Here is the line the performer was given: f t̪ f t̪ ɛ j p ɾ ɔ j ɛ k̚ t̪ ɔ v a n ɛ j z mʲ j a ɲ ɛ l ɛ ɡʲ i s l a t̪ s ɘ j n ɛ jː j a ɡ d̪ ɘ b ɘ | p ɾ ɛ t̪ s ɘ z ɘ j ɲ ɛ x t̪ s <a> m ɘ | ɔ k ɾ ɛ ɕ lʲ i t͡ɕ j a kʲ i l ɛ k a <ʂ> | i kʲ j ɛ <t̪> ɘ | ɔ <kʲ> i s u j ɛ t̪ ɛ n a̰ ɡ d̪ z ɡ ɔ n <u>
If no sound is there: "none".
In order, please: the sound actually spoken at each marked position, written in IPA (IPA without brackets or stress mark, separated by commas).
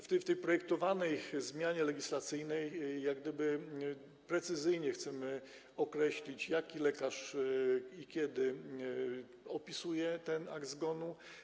ɛ, ʂ, d̪, pʲ, u